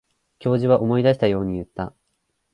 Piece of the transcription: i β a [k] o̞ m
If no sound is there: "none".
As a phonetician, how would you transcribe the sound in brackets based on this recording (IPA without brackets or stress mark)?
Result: ʔ